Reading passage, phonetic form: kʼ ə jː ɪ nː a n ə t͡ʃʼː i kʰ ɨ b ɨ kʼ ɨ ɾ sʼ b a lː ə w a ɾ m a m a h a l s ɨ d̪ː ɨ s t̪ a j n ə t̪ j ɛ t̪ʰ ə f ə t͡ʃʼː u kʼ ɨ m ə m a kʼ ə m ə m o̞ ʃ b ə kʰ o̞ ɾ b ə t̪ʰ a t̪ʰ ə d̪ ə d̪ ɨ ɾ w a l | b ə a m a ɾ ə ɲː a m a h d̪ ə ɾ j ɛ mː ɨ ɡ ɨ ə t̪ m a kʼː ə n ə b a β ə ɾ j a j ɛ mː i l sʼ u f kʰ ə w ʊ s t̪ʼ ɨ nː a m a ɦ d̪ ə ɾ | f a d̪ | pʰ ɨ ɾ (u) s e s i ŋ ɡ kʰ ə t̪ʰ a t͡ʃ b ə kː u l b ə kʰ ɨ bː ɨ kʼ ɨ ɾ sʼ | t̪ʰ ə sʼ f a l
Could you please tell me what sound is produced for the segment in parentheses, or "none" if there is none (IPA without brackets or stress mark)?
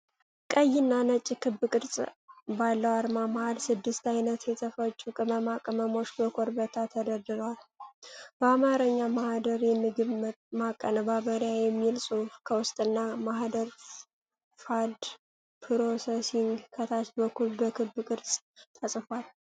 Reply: o